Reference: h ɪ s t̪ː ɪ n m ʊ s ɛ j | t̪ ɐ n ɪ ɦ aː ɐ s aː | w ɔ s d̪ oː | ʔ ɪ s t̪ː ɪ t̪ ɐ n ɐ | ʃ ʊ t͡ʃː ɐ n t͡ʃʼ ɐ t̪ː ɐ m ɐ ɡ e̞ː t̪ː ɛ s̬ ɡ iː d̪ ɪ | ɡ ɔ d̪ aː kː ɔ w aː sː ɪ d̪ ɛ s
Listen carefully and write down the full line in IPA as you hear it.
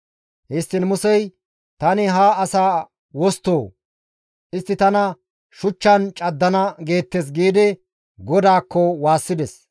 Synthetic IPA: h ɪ s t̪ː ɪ n m ʊ s ɛ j | t̪ ɐ n ɪ ɦ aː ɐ s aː | w ɔ s t̪ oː | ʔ ɪ s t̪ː ɪ t̪ ɐ n ɐ | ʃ ʊ t͡ʃː ɐ n t͡ʃʼ ɐ d̪ː ɐ n ɐ ɡ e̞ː t̪ː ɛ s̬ ɡ iː d̪ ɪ | ɡ ɔ d̪ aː kː ɔ w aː sː ɪ d̪ ɛ s